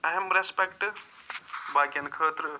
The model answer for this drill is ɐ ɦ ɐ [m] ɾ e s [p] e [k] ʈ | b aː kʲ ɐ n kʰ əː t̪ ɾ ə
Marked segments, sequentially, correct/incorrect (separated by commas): correct, correct, correct